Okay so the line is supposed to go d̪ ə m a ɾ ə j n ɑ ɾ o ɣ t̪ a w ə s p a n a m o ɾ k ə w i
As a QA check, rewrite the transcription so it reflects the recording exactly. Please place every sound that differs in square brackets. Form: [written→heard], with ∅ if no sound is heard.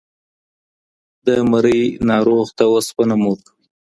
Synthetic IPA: d̪ ə m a ɾ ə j n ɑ ɾ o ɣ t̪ a w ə s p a n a m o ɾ k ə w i